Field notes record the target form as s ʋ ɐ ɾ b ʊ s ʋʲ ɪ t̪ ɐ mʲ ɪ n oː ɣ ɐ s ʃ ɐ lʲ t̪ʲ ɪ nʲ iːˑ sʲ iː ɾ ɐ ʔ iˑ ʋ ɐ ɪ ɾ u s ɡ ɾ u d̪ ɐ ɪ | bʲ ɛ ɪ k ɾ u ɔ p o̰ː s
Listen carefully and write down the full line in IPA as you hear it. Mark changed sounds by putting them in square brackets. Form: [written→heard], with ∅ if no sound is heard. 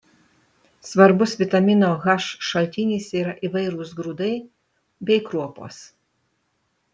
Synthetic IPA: s ʋ ɐ ɾ b ʊ s ʋʲ ɪ t̪ ɐ mʲ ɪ n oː ɣ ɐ [s→ʃ] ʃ ɐ lʲ t̪ʲ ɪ nʲ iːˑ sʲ iː ɾ ɐ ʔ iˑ ʋ ɐ ɪ ɾ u s ɡ ɾ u d̪ ɐ ɪ | bʲ ɛ ɪ k ɾ u ɔ p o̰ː s